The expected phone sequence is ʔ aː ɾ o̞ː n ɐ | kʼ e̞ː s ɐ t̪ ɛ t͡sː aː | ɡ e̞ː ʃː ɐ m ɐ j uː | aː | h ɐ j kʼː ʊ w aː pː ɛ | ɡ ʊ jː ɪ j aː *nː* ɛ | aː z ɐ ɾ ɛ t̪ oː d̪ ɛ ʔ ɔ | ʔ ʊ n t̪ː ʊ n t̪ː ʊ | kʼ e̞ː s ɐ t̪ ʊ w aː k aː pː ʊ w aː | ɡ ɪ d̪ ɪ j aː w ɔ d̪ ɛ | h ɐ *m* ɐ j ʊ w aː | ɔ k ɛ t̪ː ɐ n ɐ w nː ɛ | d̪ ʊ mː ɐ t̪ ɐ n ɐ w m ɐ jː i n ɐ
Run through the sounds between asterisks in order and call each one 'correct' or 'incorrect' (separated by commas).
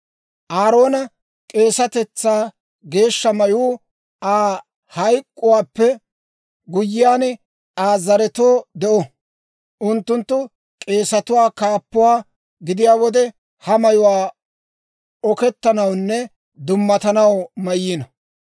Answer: incorrect, correct